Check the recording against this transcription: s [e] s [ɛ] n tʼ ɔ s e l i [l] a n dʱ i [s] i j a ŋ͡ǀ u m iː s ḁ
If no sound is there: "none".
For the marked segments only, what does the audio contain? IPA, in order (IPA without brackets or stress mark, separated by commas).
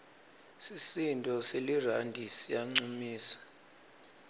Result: i, i, r, s